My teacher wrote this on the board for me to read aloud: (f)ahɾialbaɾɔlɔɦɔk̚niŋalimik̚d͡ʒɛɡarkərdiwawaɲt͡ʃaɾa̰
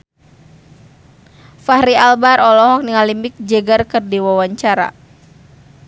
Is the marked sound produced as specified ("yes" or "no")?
yes